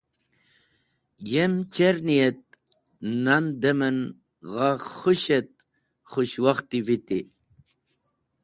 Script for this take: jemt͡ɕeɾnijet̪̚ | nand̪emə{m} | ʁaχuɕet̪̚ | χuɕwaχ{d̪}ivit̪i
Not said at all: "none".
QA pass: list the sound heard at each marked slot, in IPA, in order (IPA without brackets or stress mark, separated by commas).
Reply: n, t̪